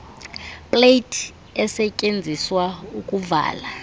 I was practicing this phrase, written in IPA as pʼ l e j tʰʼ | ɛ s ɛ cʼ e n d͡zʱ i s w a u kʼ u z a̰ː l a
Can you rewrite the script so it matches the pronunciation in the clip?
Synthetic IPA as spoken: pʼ l e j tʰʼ | ɛ s ɛ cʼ e n d͡zʱ i s w a u kʼ u v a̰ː l a